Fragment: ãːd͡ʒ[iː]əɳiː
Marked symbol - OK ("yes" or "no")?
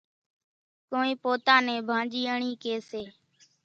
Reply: yes